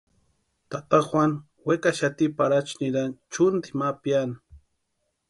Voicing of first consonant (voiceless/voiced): voiceless